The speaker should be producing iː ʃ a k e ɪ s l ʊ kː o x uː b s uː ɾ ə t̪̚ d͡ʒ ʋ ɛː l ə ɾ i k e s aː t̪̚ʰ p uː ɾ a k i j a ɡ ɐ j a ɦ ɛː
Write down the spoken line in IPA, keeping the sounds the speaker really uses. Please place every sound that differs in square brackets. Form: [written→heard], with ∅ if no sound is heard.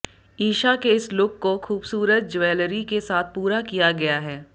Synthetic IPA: iː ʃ a k e ɪ s l ʊ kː o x uː b s uː ɾ ə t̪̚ d͡ʒ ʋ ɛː l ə ɾ i k e s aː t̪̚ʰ p uː ɾ a k i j a ɡ ɐ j a ɦ ɛː